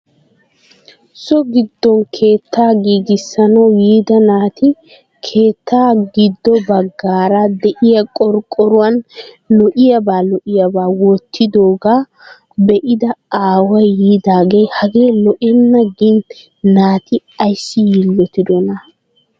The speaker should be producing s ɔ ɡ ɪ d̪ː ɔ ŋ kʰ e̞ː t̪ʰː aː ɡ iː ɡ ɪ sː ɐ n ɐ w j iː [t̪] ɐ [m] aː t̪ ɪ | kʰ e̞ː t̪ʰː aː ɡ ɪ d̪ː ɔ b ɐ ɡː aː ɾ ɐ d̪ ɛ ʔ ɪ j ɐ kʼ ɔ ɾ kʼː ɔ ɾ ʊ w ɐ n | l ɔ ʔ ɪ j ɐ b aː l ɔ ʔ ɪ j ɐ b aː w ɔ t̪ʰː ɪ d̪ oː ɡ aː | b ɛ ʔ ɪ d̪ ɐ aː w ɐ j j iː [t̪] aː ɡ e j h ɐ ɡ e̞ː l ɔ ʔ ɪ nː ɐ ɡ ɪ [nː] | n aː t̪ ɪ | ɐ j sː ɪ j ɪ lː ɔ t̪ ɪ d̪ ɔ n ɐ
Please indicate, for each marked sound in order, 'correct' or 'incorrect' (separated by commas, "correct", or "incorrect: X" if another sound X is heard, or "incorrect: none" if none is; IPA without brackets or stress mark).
incorrect: d̪, incorrect: n, incorrect: d̪, incorrect: n